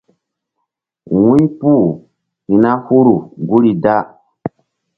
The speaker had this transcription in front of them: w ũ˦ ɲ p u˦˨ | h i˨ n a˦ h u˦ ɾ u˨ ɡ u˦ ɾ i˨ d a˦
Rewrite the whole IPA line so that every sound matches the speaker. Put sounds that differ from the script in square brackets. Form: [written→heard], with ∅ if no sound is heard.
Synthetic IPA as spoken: w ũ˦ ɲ p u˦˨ | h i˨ n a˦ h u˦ ɾ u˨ ɡ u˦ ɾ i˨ d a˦